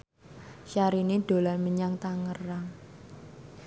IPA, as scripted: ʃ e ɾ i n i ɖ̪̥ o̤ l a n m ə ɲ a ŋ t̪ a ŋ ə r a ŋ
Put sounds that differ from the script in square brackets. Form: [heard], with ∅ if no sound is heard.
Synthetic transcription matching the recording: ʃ [a] ɾ i n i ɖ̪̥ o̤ l a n m ə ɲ a ŋ t̪ a ŋ ə r a ŋ